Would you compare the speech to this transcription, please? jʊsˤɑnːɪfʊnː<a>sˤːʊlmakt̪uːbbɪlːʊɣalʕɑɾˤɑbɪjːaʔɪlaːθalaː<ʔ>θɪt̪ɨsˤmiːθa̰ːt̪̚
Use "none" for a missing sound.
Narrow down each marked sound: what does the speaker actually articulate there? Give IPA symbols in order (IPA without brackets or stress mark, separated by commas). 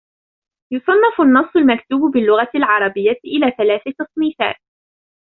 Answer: ɑ, none